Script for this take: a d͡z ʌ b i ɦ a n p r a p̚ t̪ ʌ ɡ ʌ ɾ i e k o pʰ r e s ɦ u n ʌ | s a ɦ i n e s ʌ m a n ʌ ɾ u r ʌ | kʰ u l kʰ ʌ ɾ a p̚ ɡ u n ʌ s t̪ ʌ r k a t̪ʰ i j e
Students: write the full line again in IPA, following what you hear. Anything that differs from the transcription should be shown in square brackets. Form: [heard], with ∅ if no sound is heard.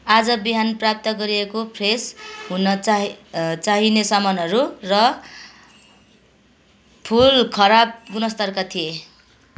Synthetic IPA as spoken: a d͡z ʌ b i ɦ a n p r a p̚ t̪ ʌ ɡ ʌ ɾ i e k o pʰ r e s ɦ u n ʌ | [t͡s] a ɦ i n e s ʌ m [ʌ] n ʌ ɾ u r ʌ | [pʰ] u l kʰ ʌ ɾ a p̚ ɡ u n ʌ s t̪ ʌ r k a t̪ʰ i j e